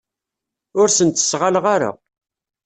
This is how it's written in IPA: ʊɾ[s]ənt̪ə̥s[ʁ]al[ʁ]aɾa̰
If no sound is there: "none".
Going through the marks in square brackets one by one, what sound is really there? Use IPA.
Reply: s, ʁ, ʁ

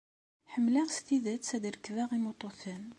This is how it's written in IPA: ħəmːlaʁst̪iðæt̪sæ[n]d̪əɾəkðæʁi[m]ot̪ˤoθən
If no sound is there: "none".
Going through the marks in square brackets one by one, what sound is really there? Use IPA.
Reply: none, m

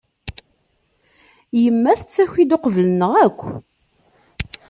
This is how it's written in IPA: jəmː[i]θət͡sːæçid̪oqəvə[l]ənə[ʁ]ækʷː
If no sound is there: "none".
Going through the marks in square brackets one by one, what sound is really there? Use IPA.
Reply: æ, l, ʁ

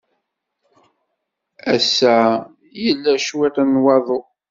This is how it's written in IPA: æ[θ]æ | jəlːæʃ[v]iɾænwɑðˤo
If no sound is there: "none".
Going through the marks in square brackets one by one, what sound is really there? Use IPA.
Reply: s, w

